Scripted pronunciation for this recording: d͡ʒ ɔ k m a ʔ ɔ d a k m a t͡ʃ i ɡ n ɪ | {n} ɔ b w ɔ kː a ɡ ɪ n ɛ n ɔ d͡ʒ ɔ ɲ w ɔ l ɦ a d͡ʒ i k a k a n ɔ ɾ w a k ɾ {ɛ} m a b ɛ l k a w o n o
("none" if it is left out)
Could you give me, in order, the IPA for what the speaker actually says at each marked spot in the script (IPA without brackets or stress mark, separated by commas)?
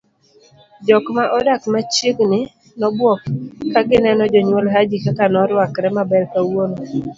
n, ɛ